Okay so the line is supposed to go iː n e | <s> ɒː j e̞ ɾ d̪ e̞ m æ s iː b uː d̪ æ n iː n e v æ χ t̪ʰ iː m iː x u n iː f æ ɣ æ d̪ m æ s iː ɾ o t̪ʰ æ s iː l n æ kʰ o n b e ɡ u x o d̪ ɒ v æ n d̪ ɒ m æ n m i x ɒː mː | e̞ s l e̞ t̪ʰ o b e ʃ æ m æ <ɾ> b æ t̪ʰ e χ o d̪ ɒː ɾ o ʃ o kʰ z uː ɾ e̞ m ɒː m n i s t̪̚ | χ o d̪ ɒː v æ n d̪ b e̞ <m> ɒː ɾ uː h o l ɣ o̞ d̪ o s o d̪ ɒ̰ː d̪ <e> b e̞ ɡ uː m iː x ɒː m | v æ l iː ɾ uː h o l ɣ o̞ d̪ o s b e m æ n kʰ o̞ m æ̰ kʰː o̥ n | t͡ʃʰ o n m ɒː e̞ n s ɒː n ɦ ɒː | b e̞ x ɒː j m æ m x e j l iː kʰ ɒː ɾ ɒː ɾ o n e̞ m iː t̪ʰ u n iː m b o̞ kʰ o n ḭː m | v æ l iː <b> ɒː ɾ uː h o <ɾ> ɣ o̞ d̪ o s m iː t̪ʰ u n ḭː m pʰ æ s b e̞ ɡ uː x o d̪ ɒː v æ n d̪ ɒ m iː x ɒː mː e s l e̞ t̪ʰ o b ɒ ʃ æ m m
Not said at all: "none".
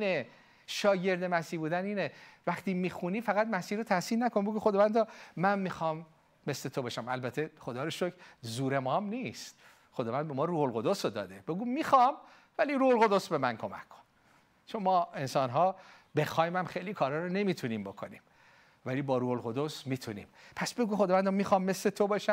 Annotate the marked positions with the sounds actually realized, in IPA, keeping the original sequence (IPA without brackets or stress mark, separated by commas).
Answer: ʃ, l, m, e, b, l